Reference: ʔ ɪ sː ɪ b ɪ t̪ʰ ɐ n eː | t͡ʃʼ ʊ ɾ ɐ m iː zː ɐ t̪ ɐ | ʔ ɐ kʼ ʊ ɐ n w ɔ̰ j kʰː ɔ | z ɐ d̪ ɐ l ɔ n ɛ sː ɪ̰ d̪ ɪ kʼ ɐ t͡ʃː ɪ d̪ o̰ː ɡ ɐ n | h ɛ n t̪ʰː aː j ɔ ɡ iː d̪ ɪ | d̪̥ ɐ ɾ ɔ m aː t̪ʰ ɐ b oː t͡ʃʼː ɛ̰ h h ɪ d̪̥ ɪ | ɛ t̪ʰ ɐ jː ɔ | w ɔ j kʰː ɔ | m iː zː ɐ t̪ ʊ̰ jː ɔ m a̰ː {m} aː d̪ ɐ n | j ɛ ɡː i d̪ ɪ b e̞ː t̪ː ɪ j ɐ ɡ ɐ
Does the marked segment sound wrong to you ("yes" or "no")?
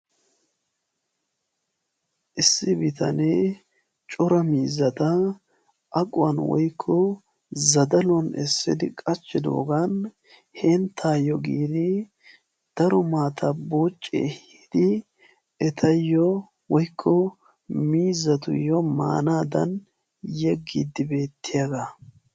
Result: yes